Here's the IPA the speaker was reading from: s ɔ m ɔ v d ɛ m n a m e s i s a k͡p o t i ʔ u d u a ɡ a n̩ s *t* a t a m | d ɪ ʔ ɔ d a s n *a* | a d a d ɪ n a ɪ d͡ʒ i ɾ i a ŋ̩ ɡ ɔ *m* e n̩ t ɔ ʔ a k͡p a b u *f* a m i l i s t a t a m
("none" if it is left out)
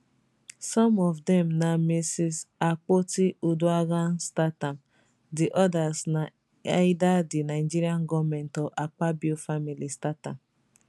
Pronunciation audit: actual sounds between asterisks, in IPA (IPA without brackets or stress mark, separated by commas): t, a, m, f